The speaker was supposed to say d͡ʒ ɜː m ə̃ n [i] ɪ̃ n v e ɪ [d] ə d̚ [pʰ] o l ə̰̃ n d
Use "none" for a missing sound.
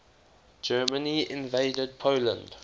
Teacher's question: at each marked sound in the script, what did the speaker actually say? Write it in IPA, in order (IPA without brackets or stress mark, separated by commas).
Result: i, d, pʰ